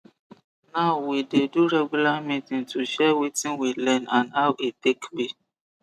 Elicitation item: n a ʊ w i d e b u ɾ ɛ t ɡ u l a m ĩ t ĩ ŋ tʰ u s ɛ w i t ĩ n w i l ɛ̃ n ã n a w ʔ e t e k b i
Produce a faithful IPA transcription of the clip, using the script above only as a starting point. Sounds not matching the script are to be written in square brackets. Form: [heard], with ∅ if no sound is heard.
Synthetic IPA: n a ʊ w i d e [d] u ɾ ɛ [∅] ɡ u l a m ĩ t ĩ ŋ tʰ u [ʃ] ɛ w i t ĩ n w i l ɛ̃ n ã n a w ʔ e t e k b i